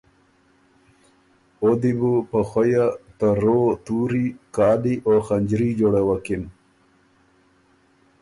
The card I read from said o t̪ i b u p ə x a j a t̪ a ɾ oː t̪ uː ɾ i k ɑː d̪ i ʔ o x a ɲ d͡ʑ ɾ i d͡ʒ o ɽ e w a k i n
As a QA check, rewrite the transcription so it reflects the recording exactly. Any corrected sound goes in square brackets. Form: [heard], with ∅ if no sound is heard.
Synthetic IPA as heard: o [d̪] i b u p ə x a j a t̪ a ɾ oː t̪ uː ɾ i k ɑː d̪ i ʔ o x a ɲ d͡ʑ ɾ i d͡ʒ o ɽ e w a k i n